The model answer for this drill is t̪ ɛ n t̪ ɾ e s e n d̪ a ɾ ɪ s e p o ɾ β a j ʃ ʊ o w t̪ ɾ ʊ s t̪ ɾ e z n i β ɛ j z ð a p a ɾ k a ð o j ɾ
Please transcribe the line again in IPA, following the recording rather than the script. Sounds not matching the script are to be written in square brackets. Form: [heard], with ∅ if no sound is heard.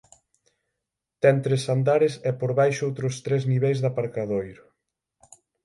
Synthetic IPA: t̪ ɛ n t̪ ɾ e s [a] n d̪ a ɾ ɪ s [ɛ] p o ɾ β a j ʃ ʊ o w t̪ ɾ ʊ s t̪ ɾ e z n i β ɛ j z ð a p a ɾ k a ð o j ɾ